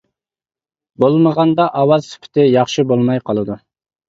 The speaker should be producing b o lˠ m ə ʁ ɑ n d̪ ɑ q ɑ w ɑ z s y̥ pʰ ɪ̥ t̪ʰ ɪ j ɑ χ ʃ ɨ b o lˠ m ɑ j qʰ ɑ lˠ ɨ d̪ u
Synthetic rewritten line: b o lˠ m ə ʁ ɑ n d̪ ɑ ʔ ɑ w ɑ z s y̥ pʰ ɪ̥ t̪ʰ ɪ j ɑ χ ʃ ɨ b o lˠ m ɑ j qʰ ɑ lˠ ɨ d̪ u